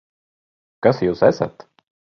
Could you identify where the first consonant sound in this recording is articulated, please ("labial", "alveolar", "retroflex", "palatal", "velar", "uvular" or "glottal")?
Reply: velar